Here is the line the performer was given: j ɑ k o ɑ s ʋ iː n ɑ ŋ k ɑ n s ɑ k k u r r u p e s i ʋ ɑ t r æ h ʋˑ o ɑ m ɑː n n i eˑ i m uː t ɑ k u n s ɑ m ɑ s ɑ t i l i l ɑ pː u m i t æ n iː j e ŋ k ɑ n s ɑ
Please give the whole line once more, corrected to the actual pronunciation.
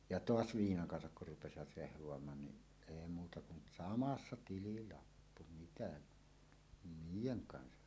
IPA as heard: j ɑ t o ɑ s ʋ iː n ɑ ŋ k ɑ n s ɑ k k u r r u p e s i ʋ ɑ t r e h ʋˑ o ɑ m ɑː n n i eˑ i m uː t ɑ k u n s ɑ m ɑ sː ɑ t i l i l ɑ pː u m i t æ n iː j e ŋ k ɑ n s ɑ